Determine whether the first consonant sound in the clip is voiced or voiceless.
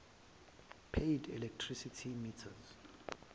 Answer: voiceless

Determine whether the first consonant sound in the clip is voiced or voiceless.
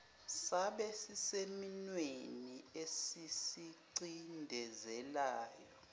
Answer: voiceless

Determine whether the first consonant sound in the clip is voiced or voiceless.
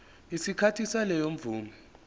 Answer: voiceless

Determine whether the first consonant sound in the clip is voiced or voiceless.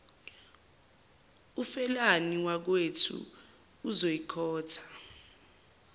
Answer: voiceless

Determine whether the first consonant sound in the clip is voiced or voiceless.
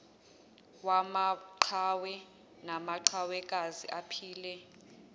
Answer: voiced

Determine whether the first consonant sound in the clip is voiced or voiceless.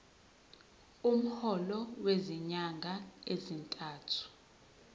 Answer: voiced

